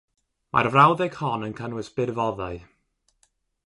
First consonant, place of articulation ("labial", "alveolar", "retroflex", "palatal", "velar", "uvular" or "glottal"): labial